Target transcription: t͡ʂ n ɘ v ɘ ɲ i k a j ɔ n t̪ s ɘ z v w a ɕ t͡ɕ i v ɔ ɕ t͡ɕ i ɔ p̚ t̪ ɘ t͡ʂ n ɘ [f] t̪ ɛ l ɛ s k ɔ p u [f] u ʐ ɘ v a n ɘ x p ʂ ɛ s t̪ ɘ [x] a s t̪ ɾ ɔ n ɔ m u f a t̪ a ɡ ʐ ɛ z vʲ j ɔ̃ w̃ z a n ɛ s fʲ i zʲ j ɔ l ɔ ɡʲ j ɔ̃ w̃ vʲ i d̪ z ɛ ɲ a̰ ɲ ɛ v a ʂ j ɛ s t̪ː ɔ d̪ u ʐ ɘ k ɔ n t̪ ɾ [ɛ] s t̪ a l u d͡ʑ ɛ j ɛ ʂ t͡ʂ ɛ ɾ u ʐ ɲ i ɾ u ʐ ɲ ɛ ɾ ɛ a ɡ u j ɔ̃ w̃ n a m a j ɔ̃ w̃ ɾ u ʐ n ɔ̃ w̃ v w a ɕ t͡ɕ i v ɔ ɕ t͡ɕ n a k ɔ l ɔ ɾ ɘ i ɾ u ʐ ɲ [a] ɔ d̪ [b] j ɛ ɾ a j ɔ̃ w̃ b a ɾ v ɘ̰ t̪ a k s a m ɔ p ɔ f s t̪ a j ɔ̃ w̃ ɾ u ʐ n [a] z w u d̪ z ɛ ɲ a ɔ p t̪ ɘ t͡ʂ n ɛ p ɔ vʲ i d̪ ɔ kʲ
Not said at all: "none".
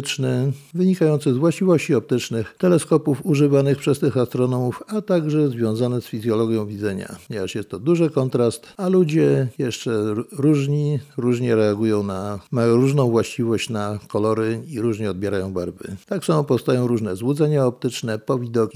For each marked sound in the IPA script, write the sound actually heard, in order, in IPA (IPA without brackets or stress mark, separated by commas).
x, f, x, a, ɛ, b, ɛ